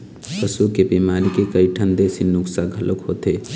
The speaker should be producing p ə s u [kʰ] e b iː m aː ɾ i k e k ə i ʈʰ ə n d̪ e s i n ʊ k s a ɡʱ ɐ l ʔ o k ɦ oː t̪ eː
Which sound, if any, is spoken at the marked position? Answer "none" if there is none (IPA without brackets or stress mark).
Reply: k